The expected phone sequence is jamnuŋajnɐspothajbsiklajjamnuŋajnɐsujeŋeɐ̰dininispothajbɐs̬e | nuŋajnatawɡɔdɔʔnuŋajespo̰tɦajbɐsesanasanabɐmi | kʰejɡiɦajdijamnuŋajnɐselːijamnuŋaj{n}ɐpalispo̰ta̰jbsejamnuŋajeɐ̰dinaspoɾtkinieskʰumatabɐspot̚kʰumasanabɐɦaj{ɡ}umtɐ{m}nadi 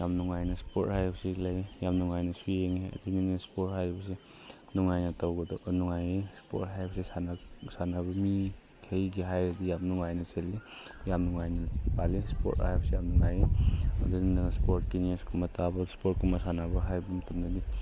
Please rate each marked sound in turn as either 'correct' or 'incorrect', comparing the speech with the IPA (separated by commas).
correct, incorrect, correct